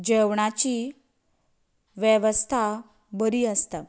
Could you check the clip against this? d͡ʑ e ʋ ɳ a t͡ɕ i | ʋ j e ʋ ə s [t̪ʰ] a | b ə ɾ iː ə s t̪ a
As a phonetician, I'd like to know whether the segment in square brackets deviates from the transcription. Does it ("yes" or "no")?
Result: no